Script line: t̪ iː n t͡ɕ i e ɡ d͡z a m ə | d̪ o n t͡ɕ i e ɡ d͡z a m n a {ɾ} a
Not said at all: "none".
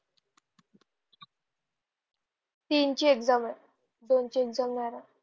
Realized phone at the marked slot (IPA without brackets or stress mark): ɾ